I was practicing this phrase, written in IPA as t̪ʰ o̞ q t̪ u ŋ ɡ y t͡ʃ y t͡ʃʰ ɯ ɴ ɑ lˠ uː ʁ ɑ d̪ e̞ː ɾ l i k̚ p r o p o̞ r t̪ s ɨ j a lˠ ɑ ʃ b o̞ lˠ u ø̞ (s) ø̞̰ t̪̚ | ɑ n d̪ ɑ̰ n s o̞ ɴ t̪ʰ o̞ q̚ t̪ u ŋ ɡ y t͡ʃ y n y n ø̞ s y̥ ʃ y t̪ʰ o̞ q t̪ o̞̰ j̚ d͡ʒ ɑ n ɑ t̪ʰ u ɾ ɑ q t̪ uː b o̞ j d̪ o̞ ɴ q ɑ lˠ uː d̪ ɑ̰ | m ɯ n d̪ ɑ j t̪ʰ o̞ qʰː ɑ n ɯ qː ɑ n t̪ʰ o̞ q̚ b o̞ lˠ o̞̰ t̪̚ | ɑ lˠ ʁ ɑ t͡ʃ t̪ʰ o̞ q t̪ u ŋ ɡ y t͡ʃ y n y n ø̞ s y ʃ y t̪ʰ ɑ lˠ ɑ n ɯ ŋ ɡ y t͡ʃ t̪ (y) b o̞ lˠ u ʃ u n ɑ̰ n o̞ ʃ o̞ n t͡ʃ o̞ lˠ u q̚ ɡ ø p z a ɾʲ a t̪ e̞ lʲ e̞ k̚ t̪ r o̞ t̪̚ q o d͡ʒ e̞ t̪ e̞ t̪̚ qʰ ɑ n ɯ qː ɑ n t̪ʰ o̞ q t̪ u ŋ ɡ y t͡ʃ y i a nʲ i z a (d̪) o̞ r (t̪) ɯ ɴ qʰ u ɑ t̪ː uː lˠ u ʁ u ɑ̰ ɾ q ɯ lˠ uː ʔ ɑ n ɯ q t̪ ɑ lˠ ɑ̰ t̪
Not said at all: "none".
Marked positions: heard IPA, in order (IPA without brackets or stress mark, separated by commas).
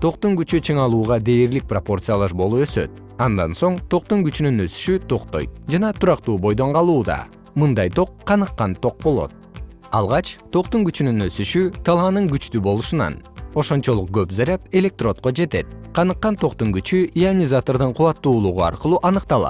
s, y, t̪, d̪